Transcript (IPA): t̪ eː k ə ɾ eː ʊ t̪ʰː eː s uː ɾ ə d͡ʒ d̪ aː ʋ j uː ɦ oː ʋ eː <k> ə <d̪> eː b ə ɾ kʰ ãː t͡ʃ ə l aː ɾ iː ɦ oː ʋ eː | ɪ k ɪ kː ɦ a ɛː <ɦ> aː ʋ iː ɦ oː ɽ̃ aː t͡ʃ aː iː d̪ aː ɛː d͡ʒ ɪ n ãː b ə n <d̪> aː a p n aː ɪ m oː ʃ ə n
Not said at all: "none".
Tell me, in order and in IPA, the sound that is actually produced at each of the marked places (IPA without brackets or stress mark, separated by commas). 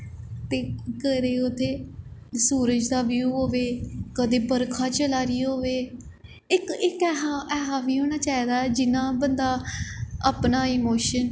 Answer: k, d̪, ɦ, d̪